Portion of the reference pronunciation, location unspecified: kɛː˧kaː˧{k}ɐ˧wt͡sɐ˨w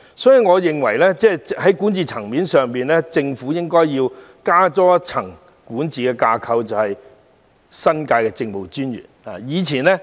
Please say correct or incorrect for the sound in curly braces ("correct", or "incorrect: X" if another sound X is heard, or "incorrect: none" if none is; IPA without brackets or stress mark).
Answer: incorrect: kʰ